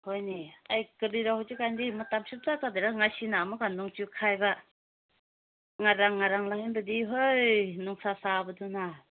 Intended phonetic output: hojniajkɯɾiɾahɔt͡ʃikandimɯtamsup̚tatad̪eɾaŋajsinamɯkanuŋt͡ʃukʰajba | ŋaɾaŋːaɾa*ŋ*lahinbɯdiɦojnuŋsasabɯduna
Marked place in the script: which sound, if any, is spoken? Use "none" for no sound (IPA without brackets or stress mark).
ŋ